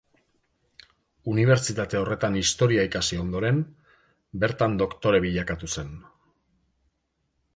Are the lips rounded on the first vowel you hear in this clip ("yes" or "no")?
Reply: yes